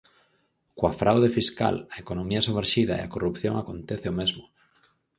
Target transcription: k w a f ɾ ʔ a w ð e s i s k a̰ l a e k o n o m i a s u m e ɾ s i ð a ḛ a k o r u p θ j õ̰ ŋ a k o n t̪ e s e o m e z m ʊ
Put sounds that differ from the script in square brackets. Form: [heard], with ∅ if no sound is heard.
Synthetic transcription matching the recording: k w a f ɾ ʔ a w ð e [f] i s k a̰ l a e k o n o m i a s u m e ɾ [ʃ] i ð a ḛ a k o r u p θ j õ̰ ŋ a k o n t̪ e [θ] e o m e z m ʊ